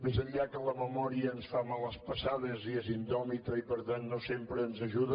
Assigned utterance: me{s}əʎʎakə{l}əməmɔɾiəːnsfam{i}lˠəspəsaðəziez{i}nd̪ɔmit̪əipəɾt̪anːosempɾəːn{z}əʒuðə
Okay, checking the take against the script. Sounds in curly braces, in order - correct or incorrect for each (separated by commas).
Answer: incorrect, correct, incorrect, correct, correct